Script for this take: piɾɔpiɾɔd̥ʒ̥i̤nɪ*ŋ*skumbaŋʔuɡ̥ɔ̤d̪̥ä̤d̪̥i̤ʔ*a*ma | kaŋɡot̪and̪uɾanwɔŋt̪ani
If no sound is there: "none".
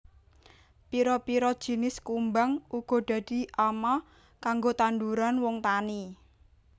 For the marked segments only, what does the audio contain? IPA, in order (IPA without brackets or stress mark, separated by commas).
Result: none, a